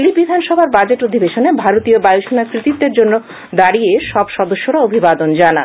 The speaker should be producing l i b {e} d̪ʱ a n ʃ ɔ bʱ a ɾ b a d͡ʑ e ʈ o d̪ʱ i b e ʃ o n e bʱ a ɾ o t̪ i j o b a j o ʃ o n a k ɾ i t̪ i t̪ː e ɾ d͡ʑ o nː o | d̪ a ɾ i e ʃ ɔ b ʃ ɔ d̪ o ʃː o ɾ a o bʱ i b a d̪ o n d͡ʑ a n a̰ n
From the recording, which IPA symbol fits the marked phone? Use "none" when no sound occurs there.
i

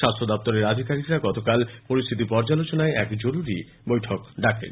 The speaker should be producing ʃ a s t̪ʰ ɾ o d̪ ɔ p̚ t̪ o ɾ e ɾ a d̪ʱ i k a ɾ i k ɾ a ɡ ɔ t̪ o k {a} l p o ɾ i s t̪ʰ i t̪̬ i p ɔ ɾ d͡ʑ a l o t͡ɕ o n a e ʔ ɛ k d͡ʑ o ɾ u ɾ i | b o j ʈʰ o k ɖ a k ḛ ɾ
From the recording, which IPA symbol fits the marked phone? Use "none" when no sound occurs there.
a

